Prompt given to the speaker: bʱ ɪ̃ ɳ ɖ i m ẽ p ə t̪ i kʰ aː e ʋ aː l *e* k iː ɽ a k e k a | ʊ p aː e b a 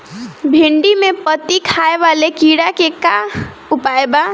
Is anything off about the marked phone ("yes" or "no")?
no